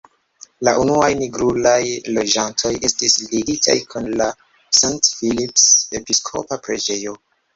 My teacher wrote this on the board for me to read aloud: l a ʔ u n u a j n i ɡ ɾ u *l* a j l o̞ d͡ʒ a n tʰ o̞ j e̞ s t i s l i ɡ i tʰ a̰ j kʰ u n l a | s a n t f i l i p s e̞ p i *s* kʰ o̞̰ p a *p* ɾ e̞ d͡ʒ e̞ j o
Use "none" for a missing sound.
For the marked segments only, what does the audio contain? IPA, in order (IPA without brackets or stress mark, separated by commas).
l, s, p